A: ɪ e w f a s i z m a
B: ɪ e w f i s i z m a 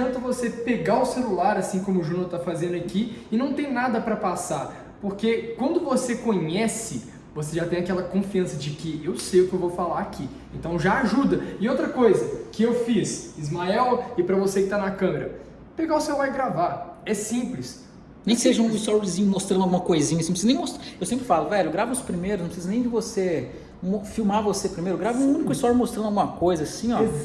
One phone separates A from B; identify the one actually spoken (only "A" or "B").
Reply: B